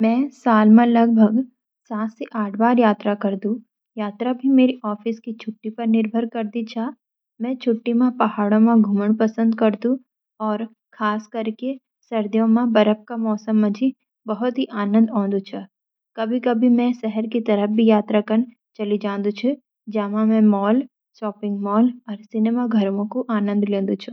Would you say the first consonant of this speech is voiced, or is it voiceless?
voiced